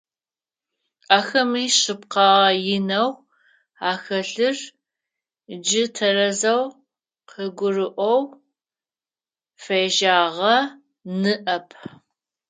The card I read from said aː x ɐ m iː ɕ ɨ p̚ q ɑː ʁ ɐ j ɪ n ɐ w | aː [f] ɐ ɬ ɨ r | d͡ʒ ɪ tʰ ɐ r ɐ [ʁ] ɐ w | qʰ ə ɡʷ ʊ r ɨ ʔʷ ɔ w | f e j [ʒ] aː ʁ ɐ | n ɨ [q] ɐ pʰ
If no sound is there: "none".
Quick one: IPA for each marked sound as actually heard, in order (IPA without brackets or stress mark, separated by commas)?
x, z, ʒ, ʔ